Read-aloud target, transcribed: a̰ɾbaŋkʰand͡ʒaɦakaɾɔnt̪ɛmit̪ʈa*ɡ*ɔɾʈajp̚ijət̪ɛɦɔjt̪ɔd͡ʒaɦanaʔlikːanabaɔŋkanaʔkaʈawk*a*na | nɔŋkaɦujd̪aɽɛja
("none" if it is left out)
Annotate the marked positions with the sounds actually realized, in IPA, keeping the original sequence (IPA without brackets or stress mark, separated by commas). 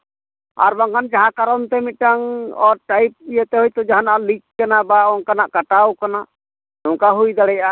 ŋ, a